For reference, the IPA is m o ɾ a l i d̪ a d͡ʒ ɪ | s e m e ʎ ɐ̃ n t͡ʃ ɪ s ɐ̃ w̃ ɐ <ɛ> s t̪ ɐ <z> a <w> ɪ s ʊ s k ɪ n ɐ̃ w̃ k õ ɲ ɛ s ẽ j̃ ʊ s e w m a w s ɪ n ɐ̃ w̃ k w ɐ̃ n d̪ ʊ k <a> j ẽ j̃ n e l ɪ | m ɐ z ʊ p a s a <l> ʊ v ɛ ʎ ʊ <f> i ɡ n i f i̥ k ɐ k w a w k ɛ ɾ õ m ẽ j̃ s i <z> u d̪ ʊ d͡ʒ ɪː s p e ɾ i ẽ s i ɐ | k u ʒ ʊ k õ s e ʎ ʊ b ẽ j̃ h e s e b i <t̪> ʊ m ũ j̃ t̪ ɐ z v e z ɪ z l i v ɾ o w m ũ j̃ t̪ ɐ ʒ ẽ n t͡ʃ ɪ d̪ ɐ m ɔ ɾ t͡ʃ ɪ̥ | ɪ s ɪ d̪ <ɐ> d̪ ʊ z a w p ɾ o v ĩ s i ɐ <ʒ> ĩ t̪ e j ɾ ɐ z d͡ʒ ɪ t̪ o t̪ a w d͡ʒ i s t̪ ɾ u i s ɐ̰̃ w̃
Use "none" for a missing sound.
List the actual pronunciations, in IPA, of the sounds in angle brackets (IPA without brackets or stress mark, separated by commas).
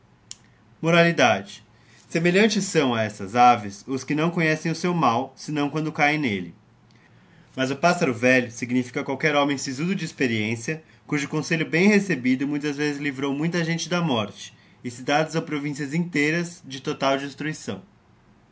ɛ, z, v, a, ɾ, s, z, d̪, a, z